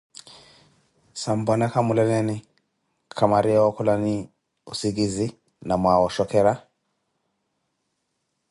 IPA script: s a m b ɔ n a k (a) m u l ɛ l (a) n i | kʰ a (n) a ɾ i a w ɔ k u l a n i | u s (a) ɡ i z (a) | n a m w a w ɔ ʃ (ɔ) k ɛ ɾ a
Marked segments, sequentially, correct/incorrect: correct, incorrect, incorrect, incorrect, incorrect, correct

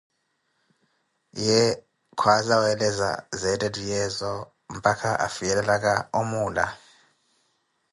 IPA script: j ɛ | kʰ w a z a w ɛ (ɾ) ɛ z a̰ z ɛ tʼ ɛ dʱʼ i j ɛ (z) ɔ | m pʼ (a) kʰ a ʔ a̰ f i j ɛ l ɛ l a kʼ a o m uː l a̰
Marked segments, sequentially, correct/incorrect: incorrect, correct, correct

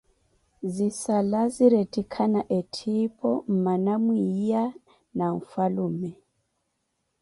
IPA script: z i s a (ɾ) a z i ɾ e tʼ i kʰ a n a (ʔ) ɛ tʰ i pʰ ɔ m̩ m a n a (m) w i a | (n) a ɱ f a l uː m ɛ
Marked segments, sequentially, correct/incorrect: incorrect, correct, correct, correct

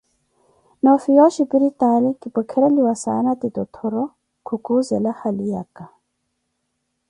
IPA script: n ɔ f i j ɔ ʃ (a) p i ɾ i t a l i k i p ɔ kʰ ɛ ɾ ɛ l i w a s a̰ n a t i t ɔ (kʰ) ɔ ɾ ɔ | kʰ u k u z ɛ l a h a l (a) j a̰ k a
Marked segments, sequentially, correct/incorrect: incorrect, incorrect, incorrect

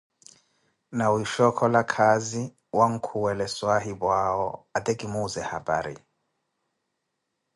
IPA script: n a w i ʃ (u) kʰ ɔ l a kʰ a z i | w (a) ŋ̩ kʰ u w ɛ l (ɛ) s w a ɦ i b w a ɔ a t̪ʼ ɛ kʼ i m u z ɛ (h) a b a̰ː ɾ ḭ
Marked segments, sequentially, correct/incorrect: incorrect, correct, correct, correct

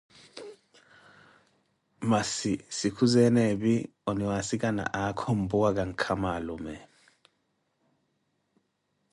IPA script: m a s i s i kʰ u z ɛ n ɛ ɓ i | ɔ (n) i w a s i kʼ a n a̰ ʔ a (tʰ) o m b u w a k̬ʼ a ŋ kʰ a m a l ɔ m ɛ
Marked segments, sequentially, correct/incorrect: correct, incorrect

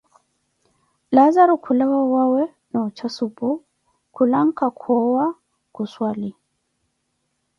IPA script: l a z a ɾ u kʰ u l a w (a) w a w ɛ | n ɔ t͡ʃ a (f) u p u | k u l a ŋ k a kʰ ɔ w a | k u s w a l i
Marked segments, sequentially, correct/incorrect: correct, incorrect

